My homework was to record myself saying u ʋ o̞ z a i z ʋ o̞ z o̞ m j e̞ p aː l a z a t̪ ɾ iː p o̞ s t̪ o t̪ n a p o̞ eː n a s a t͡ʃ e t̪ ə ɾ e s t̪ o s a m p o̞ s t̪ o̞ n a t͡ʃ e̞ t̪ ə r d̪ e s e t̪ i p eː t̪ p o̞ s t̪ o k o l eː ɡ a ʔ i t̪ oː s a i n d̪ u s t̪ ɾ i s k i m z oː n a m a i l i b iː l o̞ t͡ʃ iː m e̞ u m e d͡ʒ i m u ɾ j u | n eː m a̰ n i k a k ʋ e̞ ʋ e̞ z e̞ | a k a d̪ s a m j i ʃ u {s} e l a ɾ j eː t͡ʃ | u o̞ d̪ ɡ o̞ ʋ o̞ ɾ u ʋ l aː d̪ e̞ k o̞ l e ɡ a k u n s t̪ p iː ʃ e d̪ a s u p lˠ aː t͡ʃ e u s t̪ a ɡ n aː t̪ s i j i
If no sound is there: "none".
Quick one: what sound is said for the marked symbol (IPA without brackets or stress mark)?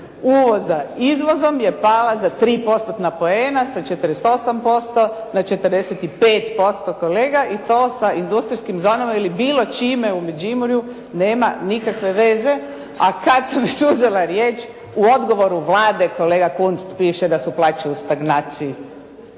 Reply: z